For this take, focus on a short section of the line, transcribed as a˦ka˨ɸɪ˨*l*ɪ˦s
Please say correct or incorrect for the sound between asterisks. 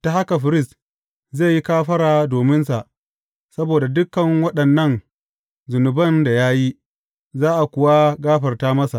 incorrect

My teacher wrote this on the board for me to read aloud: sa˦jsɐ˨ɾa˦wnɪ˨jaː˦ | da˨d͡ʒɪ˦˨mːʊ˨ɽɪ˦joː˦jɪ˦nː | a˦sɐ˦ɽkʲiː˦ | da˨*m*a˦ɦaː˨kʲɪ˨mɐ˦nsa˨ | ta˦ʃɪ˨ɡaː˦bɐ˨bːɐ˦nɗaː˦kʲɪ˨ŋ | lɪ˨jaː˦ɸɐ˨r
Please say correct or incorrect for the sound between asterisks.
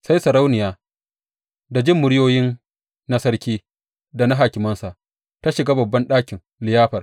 incorrect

